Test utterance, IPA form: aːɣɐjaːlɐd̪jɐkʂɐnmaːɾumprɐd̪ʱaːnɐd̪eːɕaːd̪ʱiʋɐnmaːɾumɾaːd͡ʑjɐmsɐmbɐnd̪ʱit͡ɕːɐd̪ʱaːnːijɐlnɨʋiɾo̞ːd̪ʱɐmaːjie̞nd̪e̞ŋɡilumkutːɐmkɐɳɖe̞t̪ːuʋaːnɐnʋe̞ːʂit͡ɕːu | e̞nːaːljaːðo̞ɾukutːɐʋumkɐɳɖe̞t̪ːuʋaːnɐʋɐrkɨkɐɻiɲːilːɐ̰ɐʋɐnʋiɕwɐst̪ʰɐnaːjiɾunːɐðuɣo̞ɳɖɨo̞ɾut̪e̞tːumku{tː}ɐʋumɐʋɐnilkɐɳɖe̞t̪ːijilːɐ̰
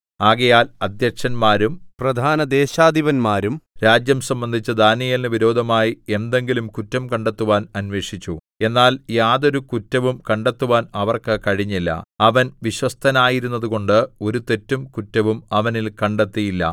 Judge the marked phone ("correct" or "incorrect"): correct